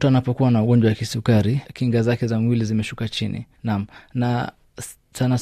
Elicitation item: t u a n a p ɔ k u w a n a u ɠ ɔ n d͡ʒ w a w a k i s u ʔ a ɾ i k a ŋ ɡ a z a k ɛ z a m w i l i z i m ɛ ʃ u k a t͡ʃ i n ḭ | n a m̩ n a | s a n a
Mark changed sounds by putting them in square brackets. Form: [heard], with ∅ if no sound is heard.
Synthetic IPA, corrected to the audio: t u a n a p ɔ k u w a n a u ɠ ɔ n d͡ʒ w a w a k i s u [k] a ɾ i k [i] ŋ ɡ a z a k ɛ z a m w i l i z i m ɛ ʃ u k a t͡ʃ i n ḭ | n a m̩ n a | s a n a